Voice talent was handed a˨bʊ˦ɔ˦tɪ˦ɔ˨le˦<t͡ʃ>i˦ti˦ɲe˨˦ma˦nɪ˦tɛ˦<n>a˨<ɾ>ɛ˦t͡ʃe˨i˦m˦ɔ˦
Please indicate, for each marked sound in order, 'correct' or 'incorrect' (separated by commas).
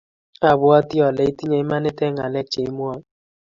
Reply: incorrect, incorrect, incorrect